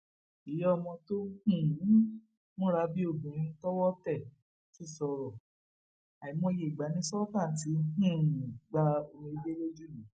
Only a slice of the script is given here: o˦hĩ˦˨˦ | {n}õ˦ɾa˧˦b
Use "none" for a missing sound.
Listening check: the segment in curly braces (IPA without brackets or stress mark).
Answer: m